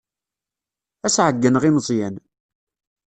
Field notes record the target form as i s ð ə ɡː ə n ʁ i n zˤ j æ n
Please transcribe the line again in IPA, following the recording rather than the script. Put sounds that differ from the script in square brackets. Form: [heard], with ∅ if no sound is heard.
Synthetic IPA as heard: [æ] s [ʕ] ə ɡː ə n ʁ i [m] zˤ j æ n